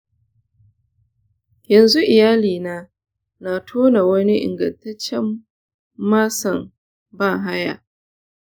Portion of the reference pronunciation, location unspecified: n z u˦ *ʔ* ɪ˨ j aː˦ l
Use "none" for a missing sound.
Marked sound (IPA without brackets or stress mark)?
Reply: ʔ